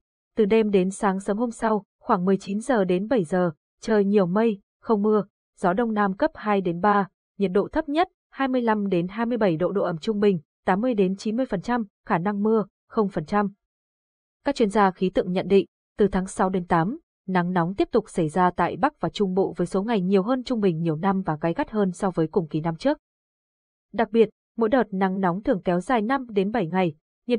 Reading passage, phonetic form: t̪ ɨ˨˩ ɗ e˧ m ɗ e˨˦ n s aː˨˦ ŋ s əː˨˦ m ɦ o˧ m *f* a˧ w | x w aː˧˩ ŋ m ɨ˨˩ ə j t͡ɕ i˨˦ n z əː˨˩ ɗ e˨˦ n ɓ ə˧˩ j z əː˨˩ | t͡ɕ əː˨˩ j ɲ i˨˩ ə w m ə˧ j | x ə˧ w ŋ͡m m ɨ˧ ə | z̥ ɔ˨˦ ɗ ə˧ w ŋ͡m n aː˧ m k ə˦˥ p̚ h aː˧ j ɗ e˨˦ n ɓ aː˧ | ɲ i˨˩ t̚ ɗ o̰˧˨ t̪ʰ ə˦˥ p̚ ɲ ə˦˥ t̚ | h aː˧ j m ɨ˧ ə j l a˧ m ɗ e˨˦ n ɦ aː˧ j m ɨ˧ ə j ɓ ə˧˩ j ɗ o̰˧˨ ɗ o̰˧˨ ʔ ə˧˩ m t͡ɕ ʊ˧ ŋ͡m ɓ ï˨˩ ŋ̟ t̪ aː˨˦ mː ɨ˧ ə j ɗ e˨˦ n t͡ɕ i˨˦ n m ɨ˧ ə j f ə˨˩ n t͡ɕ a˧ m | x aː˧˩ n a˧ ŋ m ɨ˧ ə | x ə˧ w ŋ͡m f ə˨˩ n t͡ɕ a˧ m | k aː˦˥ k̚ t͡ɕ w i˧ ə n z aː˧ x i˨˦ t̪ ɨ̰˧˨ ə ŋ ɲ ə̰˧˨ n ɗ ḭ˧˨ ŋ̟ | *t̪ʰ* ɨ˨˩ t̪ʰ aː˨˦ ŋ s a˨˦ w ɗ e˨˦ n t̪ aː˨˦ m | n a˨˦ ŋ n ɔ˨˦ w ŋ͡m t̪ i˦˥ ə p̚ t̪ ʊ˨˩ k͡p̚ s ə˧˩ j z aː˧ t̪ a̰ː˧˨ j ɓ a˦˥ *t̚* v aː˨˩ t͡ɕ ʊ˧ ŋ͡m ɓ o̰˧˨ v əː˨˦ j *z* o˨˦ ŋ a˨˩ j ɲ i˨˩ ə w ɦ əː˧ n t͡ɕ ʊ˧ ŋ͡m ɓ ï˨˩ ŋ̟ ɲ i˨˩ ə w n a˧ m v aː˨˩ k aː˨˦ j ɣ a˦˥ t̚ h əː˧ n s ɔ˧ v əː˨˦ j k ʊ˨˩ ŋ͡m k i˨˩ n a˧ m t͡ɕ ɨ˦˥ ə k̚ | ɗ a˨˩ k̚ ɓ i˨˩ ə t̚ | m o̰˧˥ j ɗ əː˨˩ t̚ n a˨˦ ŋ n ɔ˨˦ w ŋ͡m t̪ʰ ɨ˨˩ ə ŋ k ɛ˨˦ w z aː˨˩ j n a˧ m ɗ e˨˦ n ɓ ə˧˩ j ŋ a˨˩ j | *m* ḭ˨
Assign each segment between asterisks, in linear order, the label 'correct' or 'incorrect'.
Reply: incorrect: s, incorrect: t̪, incorrect: k̚, incorrect: s, incorrect: ɲ

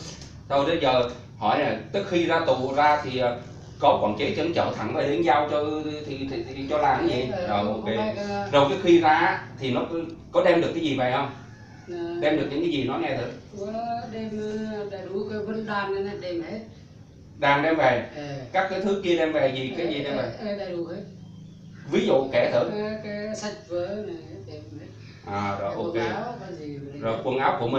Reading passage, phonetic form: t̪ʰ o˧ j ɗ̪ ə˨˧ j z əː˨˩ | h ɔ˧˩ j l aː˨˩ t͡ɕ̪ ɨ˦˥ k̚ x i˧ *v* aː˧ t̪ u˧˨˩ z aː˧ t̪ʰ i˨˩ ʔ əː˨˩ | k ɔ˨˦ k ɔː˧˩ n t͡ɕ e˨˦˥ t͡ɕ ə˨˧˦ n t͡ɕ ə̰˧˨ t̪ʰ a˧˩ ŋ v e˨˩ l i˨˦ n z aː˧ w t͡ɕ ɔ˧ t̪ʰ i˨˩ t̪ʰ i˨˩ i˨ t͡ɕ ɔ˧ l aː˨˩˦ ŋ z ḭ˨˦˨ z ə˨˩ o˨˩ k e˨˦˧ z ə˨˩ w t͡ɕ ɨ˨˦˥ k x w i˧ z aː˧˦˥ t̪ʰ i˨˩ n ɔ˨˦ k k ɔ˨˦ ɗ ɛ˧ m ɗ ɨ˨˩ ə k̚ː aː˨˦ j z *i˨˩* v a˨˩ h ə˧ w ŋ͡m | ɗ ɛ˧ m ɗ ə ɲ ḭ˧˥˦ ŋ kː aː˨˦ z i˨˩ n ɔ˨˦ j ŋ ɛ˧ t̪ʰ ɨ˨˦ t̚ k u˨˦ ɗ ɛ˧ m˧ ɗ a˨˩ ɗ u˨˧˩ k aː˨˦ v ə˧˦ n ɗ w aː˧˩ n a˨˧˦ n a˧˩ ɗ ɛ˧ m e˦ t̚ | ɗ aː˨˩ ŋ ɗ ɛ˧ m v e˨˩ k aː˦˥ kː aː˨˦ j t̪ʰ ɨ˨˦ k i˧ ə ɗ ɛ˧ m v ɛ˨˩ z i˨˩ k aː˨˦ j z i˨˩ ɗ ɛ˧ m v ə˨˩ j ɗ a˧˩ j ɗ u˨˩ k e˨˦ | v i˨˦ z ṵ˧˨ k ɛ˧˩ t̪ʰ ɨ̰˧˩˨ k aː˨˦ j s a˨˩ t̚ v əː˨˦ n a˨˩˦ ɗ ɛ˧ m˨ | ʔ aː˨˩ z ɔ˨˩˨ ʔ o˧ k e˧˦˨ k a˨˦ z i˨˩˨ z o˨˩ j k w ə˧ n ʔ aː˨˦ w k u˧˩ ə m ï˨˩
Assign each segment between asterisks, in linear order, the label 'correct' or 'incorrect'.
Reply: incorrect: z, correct

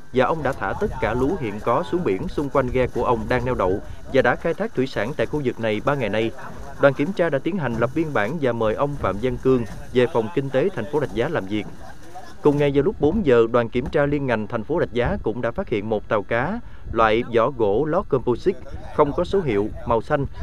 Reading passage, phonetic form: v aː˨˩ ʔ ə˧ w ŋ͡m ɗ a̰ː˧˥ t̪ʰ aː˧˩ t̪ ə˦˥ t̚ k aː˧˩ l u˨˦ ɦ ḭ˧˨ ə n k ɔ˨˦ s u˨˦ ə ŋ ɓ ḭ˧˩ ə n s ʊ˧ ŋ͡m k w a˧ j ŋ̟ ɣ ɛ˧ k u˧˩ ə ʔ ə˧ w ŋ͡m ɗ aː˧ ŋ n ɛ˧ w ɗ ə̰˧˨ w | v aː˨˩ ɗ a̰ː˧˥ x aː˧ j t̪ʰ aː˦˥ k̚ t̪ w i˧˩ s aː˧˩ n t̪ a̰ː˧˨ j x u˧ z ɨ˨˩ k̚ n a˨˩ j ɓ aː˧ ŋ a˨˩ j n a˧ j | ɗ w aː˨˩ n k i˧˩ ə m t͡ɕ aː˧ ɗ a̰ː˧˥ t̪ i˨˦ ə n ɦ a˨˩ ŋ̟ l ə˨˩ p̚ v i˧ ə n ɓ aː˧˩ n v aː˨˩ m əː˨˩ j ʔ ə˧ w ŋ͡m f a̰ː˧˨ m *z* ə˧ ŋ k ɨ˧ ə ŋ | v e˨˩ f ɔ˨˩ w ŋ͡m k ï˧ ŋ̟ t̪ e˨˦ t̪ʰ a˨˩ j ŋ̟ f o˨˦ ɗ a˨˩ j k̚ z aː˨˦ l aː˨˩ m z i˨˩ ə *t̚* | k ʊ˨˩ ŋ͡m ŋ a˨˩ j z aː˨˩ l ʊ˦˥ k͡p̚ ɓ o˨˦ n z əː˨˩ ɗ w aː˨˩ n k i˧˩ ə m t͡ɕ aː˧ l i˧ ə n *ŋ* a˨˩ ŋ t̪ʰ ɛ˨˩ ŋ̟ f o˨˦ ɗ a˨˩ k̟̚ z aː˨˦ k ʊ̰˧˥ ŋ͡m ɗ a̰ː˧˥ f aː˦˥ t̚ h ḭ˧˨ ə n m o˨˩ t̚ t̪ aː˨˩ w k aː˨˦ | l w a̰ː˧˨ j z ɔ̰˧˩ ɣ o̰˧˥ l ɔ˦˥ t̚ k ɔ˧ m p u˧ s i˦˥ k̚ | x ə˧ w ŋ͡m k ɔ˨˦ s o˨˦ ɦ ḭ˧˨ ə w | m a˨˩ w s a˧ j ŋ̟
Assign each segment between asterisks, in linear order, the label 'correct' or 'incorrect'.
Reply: correct, incorrect: k̚, correct

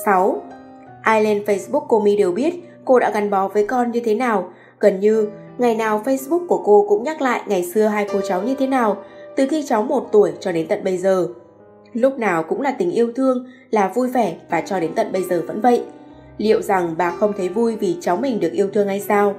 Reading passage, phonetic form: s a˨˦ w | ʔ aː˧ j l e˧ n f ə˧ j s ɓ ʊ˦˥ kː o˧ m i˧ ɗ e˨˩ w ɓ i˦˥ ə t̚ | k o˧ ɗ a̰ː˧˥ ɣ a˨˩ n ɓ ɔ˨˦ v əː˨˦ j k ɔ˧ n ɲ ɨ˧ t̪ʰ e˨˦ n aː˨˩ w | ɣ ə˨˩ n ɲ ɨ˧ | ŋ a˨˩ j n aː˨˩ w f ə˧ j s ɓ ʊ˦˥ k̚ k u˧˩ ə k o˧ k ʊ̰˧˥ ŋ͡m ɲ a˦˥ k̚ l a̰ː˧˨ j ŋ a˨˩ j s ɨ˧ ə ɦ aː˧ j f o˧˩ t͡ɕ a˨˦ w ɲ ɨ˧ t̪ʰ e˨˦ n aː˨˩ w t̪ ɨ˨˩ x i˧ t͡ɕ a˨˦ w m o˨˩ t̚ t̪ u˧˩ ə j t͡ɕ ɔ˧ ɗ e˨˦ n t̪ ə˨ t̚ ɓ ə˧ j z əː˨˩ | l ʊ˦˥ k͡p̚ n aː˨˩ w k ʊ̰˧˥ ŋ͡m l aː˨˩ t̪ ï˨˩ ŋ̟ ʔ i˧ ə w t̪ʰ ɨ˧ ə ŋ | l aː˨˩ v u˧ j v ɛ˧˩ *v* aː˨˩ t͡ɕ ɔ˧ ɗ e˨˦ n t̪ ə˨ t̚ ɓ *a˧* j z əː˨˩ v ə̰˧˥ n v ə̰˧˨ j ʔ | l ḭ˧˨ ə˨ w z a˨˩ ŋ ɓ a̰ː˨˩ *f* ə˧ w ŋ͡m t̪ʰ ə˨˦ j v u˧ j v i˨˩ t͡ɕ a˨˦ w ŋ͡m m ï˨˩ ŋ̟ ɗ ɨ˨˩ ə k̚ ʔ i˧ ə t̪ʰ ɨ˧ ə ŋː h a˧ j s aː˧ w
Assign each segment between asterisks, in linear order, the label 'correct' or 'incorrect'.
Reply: correct, incorrect: ə˧, incorrect: x

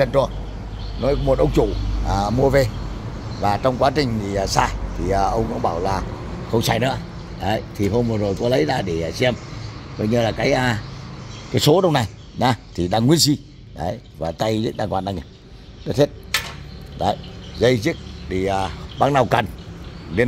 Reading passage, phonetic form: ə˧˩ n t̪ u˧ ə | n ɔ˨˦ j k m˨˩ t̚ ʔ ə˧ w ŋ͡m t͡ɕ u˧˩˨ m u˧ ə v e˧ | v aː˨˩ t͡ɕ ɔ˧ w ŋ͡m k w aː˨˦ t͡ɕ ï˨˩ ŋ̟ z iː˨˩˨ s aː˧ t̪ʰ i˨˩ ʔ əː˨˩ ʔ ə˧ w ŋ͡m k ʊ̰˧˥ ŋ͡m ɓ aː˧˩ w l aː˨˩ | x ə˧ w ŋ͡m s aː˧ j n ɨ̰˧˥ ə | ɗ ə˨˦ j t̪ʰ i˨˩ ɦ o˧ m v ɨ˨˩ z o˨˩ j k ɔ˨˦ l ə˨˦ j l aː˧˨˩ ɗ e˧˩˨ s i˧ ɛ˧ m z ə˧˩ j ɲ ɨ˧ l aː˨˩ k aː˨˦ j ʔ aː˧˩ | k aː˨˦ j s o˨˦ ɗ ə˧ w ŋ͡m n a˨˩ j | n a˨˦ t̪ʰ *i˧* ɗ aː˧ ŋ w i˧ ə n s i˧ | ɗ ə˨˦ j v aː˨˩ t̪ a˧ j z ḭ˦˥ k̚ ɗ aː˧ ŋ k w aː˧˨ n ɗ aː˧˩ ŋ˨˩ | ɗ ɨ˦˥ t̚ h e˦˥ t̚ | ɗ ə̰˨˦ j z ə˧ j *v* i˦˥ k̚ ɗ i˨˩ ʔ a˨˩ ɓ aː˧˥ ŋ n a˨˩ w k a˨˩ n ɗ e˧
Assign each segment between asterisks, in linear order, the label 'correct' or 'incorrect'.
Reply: incorrect: i˨˩, incorrect: z

